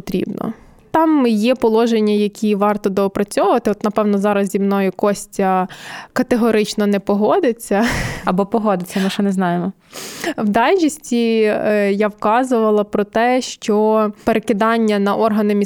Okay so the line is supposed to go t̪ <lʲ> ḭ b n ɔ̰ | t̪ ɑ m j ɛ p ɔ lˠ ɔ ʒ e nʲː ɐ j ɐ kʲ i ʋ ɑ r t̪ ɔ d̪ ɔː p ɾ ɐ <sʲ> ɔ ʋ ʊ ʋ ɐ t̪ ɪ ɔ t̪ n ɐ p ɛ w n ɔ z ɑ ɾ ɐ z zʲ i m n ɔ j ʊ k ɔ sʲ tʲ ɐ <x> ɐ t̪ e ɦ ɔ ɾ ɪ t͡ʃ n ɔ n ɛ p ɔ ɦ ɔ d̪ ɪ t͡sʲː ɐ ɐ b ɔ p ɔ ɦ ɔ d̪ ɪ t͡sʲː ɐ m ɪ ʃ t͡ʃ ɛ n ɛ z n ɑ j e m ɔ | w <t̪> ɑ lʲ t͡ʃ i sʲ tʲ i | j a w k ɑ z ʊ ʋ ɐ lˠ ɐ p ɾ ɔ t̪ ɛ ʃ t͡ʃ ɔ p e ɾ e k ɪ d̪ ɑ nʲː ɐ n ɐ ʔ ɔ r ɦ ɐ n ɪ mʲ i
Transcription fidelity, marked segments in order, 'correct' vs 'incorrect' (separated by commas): incorrect, incorrect, incorrect, incorrect